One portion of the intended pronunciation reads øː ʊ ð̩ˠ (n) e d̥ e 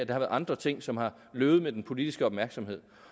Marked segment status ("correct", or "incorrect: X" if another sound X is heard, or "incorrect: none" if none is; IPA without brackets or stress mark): incorrect: m